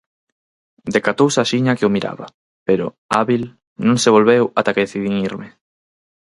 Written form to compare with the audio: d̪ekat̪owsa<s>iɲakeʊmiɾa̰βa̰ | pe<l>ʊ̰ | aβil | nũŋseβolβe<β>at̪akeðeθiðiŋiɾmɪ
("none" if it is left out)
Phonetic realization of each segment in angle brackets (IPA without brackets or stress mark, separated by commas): ʃ, ɾ, w